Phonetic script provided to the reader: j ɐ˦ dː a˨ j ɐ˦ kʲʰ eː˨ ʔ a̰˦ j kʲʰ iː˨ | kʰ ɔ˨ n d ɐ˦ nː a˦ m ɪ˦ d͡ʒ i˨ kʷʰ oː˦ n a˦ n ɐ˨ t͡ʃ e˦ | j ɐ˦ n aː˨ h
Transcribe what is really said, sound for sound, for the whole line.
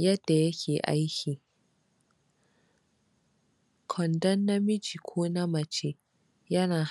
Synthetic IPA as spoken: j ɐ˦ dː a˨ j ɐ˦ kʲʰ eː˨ ʔ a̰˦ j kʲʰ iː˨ | kʰ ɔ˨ n d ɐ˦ nː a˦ m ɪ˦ d͡ʒ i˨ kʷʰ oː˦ n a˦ m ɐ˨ t͡ʃ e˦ | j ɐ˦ n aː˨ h

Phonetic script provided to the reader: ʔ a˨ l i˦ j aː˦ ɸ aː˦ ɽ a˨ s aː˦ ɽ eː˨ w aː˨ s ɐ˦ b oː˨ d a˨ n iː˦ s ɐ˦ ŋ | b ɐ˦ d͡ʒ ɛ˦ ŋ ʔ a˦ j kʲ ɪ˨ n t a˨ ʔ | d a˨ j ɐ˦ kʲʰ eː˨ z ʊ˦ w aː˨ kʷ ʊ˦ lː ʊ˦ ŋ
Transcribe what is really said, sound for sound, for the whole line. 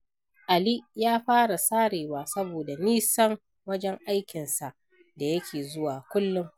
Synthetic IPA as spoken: ʔ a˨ l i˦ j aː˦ ɸ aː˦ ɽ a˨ s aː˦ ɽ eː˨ w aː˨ s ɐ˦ b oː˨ d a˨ n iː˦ s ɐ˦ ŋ | w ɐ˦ d͡ʒ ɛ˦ ŋ ʔ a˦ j kʲ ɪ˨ n s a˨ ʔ | d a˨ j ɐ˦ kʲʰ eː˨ z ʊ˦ w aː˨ kʷ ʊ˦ lː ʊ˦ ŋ

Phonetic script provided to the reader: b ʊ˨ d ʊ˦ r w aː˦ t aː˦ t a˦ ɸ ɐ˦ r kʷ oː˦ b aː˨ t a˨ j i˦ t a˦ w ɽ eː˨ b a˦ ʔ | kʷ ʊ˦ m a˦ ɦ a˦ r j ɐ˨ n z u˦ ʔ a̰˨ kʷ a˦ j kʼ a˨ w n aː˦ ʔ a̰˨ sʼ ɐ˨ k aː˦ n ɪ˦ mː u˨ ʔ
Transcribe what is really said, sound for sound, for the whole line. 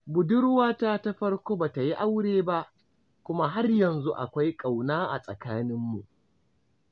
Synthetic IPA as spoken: b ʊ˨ d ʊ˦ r w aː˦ t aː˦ t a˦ ɸ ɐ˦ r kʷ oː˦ b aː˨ t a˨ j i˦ ʔ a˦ w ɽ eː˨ b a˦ ʔ | kʷ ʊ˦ m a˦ ɦ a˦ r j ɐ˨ n z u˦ ʔ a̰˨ kʷ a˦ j kʼ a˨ w n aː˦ ʔ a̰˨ sʼ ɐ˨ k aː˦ n ɪ˦ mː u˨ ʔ

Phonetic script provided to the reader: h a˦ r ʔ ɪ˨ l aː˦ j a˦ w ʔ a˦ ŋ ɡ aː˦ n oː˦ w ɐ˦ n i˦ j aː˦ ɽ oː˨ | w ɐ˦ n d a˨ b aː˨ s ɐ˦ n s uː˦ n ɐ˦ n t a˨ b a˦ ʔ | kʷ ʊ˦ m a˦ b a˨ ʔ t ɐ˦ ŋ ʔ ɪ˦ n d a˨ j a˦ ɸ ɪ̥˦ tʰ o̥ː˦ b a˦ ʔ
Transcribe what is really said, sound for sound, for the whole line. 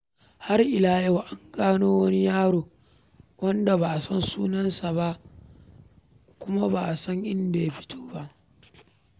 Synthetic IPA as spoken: h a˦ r ʔ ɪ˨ l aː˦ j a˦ w ʔ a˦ ŋ ɡ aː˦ n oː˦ w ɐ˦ n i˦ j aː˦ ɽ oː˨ | w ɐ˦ n d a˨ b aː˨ s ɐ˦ n s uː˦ n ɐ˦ n s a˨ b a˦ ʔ | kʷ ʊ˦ m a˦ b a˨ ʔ s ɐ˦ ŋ ʔ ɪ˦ n d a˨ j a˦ ɸ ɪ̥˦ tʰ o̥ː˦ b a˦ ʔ

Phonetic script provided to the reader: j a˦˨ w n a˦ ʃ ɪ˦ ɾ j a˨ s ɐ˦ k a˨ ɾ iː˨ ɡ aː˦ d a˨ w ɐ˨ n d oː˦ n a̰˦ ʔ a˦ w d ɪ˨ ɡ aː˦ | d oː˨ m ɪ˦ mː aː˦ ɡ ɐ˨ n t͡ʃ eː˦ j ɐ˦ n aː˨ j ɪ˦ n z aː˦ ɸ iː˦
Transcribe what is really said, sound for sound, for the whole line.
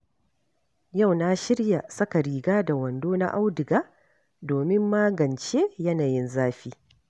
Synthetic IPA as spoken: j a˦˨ w n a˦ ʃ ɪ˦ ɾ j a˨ s ɐ˦ k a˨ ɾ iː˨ ɡ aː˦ d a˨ w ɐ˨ n d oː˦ n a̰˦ ʔ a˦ w d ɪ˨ ɡ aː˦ | d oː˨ m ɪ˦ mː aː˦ ɡ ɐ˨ n t͡ʃ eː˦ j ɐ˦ n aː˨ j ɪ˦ n z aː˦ ɸ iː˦

